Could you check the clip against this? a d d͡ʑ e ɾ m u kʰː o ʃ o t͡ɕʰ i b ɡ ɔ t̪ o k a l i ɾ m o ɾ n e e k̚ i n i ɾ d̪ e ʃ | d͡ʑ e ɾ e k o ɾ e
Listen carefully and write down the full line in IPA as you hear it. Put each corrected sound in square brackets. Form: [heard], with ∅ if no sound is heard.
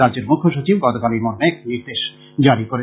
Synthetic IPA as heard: a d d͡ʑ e ɾ m u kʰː o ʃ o [t͡ɕ] i b ɡ ɔ t̪ o k a l i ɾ m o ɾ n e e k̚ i n i ɾ d̪ e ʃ | d͡ʑ [a] ɾ [i] k o ɾ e

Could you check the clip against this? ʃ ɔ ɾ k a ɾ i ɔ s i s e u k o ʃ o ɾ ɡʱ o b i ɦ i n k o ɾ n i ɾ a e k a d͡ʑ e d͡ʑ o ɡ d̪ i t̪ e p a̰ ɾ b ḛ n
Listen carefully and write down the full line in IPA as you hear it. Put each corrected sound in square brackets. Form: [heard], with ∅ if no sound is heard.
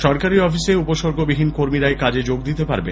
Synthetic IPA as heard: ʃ ɔ ɾ k a ɾ i ɔ [f] i s e u [p] o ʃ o ɾ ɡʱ o b i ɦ i n k o ɾ [m] i ɾ a e k a d͡ʑ e d͡ʑ o ɡ d̪ i t̪ e p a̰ ɾ b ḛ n

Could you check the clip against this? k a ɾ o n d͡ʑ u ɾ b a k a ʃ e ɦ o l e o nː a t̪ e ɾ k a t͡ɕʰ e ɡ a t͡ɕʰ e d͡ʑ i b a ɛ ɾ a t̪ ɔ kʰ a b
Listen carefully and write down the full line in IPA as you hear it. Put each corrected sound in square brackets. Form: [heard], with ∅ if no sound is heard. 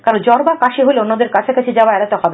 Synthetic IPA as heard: k a ɾ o n d͡ʑ [ɔ] ɾ b a k a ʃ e ɦ o l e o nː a [d̪] e ɾ k a t͡ɕʰ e [k] a t͡ɕʰ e d͡ʑ [a] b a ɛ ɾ a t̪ ɔ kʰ a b

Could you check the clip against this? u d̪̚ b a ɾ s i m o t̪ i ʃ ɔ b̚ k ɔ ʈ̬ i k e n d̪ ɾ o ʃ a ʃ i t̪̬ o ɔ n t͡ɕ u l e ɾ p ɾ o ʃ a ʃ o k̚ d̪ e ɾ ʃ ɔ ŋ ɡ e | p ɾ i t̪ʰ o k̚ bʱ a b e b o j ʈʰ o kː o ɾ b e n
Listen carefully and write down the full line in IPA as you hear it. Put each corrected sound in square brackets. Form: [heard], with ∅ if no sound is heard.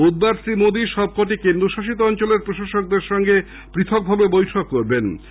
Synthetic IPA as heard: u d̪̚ b a ɾ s i m o [d̪] i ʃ ɔ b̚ k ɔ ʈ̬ i k e n d̪ ɾ o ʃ a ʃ i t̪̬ o ɔ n t͡ɕ [o] l e ɾ p ɾ o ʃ a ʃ o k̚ d̪ e ɾ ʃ ɔ ŋ ɡ e | p ɾ i t̪ʰ o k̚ bʱ a b e b o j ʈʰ o kː o ɾ b e n

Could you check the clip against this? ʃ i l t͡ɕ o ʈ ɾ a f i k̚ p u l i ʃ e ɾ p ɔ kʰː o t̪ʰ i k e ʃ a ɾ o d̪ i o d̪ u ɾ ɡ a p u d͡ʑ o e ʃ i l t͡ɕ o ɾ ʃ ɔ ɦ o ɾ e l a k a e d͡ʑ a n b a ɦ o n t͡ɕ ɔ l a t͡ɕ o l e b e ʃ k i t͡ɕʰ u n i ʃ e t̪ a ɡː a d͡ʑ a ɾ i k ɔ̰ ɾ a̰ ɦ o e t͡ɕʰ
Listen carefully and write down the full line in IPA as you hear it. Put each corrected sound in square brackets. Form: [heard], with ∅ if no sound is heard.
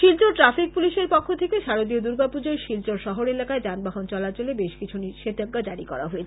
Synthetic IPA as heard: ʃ i l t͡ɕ o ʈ ɾ a f i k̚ p u l i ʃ e ɾ p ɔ kʰː o t̪ʰ [e] k e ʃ a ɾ o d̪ i o d̪ u ɾ ɡ a p u d͡ʑ o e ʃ i l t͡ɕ o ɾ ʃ ɔ ɦ o ɾ e l a k a e d͡ʑ a n b a ɦ o n t͡ɕ ɔ l a t͡ɕ o l e b e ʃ k i t͡ɕʰ u n i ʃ e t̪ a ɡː a d͡ʑ a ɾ i k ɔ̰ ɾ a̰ ɦ o e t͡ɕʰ

